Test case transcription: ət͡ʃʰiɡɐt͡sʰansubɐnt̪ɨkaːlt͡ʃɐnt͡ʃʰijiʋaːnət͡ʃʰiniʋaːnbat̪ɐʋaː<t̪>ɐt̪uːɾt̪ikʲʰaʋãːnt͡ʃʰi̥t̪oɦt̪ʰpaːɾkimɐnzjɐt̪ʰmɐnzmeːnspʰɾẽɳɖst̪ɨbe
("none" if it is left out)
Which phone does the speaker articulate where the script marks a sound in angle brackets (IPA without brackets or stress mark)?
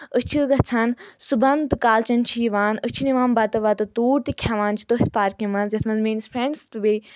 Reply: t̪